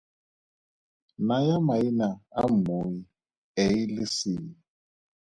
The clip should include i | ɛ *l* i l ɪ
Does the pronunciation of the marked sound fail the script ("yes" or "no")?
yes